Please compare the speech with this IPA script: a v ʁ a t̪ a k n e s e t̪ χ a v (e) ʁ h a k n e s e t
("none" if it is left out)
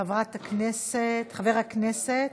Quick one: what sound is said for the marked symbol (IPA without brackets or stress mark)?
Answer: e